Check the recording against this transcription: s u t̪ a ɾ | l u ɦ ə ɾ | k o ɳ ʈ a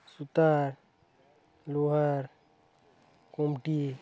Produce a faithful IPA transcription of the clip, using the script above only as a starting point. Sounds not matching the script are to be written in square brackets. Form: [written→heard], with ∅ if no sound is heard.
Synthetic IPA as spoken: s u t̪ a ɾ | l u ɦ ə ɾ | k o [ɳ→m] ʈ [a→i]

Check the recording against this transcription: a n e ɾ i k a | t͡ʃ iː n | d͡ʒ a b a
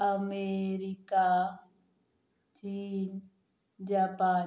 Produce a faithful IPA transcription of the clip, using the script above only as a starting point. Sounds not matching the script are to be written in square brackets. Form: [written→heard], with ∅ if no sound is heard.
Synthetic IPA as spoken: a [n→m] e ɾ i k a | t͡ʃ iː n | d͡ʒ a [b→p] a

